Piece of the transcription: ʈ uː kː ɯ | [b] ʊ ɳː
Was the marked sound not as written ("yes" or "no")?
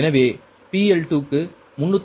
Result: yes